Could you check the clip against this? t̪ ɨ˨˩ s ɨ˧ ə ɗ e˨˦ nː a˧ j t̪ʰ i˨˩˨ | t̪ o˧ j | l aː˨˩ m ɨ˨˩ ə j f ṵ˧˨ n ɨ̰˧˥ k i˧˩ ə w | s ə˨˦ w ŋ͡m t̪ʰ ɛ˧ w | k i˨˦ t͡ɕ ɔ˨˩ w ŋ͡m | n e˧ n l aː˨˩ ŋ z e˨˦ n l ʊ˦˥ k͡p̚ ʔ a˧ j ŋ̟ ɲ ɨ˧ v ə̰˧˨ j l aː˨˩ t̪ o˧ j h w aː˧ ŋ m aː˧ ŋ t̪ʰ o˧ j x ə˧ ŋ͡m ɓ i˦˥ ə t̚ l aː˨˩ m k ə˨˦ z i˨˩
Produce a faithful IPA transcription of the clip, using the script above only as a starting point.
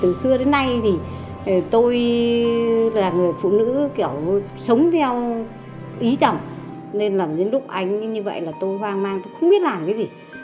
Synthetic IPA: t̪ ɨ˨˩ s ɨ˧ ə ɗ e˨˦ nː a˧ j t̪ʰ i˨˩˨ | t̪ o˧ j | l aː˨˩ ŋ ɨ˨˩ ə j f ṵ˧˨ n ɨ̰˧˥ k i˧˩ ə w | s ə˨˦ w ŋ͡m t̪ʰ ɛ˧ w | ʔ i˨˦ t͡ɕ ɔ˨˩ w ŋ͡m | n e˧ n l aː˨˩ m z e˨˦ n l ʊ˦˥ k͡p̚ ʔ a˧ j ŋ̟ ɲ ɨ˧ v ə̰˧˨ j l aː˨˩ t̪ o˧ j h w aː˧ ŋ m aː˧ ŋ t̪ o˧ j x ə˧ ŋ͡m ɓ i˦˥ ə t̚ l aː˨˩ m k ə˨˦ z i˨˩